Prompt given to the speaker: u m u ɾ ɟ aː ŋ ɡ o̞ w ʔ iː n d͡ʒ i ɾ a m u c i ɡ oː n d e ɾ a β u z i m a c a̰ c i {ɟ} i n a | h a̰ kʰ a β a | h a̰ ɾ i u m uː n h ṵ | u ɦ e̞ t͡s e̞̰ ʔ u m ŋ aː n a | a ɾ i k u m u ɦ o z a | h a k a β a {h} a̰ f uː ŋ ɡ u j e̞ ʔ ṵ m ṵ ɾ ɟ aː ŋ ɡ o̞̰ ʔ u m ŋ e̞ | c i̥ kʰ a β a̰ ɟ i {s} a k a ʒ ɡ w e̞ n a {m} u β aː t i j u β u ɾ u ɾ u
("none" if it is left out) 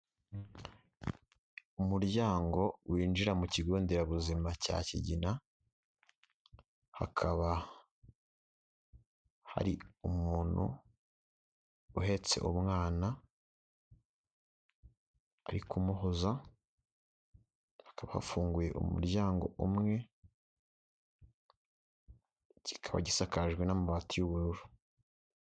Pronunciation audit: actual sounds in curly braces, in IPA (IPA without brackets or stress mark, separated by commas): ɟ, h, s, m